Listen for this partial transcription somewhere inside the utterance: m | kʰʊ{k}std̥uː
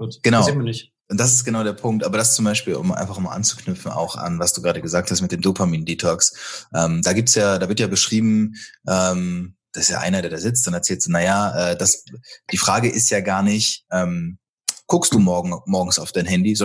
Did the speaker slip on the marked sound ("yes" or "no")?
no